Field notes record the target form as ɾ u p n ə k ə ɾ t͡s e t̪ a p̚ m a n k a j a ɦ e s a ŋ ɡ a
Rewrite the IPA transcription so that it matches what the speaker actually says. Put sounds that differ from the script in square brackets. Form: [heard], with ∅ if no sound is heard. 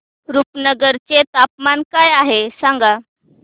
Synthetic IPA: ɾ u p n ə [ɡ] ə ɾ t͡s e t̪ a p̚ m a n k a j a ɦ e s a ŋ ɡ a